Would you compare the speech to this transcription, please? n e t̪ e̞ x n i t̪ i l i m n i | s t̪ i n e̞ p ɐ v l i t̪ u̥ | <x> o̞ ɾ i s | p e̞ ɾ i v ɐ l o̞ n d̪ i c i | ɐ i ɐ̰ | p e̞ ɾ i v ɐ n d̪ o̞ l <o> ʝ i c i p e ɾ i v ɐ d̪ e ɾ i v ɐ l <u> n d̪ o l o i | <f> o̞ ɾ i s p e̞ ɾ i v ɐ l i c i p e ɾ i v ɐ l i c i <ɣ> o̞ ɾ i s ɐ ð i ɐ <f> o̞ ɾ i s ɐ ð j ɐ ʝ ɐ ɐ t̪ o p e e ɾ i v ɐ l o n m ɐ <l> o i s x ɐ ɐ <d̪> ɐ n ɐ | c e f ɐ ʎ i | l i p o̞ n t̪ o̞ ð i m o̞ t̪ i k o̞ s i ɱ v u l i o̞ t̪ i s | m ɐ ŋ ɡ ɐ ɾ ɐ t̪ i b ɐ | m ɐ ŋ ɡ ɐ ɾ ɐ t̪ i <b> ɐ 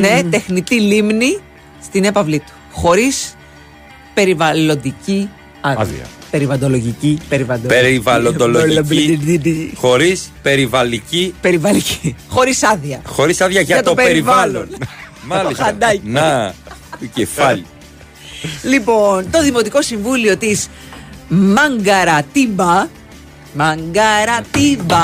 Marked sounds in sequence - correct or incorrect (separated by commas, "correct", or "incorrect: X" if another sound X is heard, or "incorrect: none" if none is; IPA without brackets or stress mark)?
correct, correct, incorrect: o, incorrect: x, incorrect: x, incorrect: x, correct, correct, correct